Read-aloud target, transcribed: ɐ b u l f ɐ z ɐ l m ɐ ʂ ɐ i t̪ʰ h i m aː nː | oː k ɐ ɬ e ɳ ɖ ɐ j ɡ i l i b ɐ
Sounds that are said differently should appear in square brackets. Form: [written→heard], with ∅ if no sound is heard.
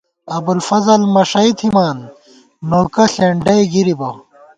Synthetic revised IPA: ɐ b u l f ɐ z ɐ l m ɐ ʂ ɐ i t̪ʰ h i m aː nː | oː k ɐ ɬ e ɳ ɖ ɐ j ɡ i [l→ɾ] i b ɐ